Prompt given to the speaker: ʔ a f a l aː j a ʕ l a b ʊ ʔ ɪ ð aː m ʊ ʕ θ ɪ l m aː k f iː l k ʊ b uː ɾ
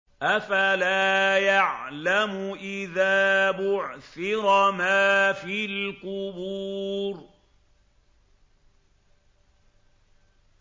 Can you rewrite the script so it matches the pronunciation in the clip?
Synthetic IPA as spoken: ʔ a f a l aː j a ʕ l a m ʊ ʔ ɪ ð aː b ʊ ʕ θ ɪ ɾ m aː f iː l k ʊ b uː ɾ